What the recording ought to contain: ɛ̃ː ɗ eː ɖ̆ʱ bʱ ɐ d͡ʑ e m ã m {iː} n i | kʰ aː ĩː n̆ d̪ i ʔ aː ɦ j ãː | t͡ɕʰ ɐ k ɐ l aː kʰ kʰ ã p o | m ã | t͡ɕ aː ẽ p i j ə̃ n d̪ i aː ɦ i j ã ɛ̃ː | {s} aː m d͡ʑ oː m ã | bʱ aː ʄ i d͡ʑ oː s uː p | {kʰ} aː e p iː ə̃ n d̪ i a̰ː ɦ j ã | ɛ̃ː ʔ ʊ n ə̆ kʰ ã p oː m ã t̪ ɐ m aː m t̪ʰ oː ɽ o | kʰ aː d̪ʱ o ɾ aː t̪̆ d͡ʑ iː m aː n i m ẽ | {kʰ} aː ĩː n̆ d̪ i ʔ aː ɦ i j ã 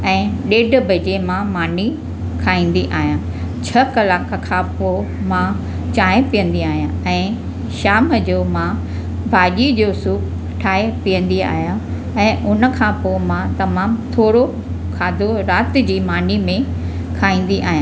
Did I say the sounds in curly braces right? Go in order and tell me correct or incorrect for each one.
incorrect, incorrect, incorrect, correct

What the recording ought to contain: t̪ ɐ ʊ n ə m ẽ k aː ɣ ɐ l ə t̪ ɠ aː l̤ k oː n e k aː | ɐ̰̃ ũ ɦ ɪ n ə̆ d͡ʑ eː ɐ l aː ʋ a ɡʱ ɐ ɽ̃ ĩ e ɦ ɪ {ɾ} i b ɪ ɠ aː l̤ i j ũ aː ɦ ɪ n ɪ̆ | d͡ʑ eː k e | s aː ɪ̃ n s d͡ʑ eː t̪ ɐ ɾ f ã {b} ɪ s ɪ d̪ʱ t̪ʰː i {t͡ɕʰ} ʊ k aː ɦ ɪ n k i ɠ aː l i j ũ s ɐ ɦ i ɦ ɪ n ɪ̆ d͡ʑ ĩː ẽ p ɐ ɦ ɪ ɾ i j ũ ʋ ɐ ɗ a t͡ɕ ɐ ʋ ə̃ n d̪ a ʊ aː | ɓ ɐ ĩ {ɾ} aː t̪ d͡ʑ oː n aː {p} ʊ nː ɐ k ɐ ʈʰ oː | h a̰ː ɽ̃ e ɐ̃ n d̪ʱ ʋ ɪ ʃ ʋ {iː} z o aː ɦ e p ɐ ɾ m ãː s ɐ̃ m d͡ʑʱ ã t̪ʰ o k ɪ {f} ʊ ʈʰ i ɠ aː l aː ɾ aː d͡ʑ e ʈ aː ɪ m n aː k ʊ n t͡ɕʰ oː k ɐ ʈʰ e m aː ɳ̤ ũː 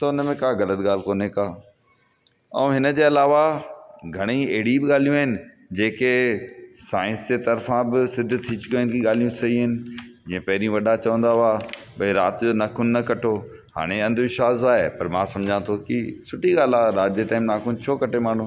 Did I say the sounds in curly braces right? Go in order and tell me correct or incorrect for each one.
incorrect, correct, incorrect, correct, incorrect, incorrect, incorrect

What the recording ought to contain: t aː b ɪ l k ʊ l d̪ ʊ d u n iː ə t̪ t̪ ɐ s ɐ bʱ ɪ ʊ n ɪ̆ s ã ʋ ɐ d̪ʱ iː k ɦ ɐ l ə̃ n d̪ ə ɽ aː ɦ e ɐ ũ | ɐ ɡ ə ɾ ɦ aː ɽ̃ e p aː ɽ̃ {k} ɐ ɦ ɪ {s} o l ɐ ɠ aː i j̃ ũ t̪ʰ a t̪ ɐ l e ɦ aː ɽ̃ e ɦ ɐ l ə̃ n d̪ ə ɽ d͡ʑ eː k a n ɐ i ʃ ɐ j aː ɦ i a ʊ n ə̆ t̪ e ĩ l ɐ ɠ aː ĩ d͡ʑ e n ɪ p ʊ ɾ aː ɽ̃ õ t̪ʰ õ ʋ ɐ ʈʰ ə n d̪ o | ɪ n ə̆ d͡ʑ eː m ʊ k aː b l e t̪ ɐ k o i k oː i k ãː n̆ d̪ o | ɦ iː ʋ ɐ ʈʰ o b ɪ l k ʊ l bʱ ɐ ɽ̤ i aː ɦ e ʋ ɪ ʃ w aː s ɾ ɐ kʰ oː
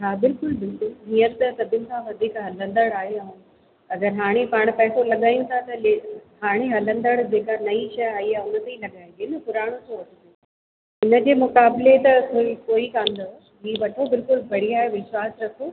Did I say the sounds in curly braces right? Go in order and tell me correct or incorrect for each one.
incorrect, correct

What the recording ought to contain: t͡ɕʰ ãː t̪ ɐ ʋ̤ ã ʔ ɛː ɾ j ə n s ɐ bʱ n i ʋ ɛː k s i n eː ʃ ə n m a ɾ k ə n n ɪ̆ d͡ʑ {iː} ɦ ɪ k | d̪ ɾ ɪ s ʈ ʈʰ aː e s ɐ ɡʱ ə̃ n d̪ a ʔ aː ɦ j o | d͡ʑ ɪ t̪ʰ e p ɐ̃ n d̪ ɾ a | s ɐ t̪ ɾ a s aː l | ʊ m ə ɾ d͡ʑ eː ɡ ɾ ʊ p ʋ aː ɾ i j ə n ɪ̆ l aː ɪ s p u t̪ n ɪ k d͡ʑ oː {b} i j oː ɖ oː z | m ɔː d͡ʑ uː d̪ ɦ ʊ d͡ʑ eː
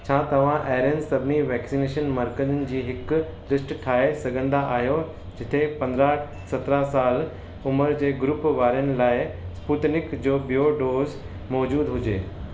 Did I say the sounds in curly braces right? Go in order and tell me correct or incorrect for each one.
correct, correct

